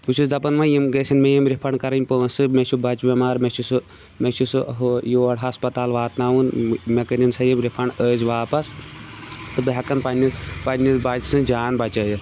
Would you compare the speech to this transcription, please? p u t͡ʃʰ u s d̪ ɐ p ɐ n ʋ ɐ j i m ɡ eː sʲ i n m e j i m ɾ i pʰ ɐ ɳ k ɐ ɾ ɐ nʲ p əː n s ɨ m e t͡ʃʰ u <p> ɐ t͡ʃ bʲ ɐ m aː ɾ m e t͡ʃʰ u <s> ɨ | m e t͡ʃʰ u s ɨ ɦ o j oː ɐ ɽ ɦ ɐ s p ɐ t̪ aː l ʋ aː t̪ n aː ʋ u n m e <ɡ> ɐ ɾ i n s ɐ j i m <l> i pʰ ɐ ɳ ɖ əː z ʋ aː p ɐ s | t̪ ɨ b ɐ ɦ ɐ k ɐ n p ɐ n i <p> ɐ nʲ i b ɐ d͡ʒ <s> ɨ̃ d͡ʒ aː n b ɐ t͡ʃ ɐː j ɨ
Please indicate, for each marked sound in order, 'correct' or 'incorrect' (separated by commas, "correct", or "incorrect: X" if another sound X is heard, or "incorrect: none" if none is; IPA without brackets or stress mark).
incorrect: b, correct, incorrect: k, incorrect: ɾ, correct, correct